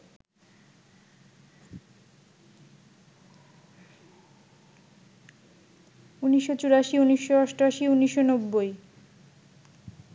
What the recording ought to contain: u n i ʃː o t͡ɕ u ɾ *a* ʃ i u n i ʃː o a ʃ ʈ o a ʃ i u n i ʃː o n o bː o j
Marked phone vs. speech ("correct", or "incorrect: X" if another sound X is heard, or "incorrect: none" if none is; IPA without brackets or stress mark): correct